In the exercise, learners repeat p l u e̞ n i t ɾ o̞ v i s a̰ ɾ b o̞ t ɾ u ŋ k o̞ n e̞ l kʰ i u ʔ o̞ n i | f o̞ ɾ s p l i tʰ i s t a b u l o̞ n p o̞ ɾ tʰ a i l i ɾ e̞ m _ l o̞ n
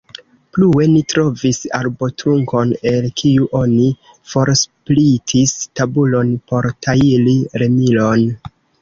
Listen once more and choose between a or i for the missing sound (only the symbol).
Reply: i